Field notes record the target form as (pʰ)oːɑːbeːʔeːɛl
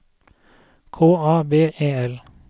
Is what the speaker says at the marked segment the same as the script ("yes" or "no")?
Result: no